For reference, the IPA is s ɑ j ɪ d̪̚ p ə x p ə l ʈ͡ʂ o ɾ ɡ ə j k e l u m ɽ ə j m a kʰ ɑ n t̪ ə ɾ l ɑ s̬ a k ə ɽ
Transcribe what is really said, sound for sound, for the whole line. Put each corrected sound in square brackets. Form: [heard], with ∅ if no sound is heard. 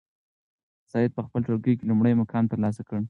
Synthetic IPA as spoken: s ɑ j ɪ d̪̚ p ə x p ə l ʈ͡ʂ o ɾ ɡ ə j k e l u m ɽ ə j m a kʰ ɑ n t̪ ə ɾ l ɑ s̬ a k ə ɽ